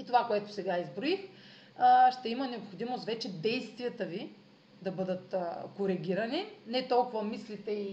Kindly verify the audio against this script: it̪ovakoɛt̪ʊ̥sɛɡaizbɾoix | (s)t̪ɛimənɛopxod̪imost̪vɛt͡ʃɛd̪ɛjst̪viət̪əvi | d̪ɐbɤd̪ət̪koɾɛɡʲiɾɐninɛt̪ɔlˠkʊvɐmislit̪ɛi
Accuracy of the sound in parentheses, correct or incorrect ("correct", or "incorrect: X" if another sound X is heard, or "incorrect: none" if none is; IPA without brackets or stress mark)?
incorrect: ʃ